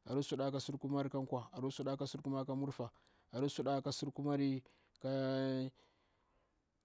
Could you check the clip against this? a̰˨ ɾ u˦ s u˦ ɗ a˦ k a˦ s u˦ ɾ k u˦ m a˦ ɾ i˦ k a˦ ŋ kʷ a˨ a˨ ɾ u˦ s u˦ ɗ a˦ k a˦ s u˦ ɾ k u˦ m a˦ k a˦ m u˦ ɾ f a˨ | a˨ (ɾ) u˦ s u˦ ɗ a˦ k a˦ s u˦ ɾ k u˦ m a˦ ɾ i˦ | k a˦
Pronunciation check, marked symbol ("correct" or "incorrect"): correct